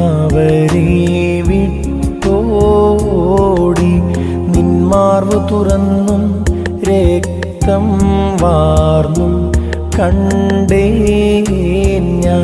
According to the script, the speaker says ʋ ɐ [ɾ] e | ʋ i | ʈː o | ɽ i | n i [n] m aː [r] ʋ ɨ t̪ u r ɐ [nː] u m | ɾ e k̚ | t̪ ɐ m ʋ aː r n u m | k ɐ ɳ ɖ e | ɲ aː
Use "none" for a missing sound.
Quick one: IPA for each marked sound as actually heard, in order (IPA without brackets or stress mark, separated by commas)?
ɾ, n, r, nː